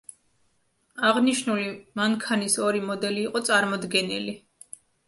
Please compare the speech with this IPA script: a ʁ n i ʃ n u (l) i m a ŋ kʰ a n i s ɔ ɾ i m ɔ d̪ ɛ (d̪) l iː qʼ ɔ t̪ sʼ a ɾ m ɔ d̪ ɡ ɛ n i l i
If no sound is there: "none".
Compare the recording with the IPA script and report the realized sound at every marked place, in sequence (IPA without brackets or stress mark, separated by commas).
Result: l, none